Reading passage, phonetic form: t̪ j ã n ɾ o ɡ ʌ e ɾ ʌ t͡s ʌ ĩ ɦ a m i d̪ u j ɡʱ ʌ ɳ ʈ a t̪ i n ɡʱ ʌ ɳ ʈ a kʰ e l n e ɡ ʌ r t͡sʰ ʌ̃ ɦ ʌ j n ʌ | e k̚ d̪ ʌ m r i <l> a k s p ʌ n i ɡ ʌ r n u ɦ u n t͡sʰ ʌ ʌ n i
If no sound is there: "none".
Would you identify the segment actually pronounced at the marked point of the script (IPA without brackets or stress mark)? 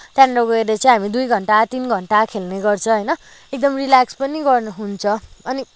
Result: l